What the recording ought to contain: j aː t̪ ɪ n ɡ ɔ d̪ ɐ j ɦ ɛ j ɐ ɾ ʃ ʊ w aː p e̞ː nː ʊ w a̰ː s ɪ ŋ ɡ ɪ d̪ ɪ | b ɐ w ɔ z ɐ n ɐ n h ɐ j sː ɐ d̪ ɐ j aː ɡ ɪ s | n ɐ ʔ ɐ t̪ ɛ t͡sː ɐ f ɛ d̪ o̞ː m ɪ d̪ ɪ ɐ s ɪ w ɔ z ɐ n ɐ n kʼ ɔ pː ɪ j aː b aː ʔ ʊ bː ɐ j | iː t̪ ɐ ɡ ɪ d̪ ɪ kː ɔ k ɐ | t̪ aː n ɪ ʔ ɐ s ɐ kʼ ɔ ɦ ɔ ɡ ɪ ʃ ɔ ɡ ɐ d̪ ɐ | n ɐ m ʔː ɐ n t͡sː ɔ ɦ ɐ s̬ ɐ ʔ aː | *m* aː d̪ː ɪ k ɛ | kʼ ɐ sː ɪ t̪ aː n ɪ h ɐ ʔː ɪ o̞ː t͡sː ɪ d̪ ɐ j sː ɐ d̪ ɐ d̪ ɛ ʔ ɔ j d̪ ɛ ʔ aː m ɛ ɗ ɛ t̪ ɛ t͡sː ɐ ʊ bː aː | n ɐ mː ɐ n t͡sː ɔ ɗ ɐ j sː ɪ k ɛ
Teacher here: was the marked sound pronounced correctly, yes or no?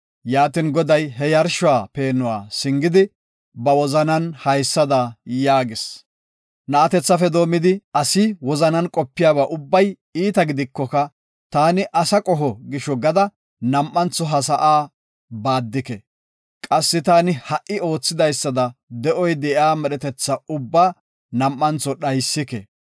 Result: no